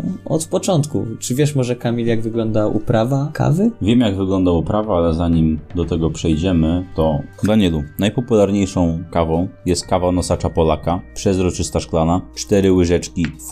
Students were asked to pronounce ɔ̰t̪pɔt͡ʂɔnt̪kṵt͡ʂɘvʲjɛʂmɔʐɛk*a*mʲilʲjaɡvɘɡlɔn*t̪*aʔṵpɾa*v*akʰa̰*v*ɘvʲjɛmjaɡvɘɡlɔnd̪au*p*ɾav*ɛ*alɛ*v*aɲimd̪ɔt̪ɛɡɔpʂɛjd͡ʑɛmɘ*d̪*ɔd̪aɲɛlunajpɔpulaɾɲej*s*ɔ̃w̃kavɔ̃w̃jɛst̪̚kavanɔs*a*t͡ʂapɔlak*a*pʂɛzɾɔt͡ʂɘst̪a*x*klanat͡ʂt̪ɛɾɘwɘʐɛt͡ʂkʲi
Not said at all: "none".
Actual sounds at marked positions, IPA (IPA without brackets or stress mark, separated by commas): a, d̪, v, v, p, a, z, t̪, ʂ, a, a, ʂ